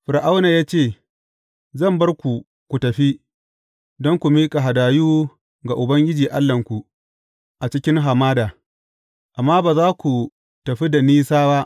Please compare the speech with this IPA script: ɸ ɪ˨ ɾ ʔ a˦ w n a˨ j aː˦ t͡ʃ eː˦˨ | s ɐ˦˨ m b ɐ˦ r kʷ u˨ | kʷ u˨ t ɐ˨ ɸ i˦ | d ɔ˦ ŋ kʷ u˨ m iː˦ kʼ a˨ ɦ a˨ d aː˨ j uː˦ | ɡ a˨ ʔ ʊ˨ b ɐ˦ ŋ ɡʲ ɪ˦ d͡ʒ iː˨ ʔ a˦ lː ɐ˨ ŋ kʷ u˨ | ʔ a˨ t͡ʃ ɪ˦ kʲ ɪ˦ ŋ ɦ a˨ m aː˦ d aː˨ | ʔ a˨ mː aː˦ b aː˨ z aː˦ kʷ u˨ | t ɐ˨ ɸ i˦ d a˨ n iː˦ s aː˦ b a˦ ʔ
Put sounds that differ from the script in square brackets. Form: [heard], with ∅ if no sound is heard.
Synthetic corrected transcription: ɸ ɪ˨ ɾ ʔ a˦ w n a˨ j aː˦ t͡ʃ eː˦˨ | [z] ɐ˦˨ m b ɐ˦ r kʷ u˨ | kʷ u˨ t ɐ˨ ɸ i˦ | d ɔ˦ ŋ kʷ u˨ m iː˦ kʼ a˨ ɦ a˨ d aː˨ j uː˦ | ɡ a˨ ʔ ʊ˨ b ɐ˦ ŋ ɡʲ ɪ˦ d͡ʒ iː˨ ʔ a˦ lː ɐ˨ ŋ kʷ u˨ | ʔ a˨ t͡ʃ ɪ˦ kʲ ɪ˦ ŋ ɦ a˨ m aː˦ d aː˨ | ʔ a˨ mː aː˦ b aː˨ z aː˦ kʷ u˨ | t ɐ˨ ɸ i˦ d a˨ n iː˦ s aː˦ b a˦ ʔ